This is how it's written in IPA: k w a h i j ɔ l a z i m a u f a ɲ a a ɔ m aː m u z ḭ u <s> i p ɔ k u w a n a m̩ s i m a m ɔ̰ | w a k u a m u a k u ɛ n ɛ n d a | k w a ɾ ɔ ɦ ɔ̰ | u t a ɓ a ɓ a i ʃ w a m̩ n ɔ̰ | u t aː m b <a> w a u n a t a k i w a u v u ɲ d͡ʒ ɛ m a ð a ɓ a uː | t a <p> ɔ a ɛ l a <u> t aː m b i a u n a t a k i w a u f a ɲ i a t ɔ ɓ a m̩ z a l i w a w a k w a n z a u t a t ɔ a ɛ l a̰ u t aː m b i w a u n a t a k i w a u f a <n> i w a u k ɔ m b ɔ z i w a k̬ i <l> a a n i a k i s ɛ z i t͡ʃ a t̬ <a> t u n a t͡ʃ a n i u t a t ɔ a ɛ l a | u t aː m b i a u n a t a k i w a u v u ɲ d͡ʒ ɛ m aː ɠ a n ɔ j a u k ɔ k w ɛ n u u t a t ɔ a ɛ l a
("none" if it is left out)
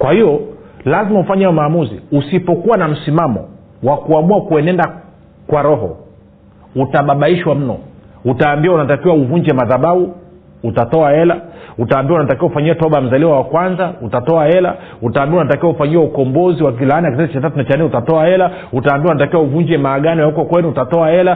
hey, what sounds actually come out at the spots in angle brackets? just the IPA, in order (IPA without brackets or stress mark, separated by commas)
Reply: s, i, t, u, ɲ, l, a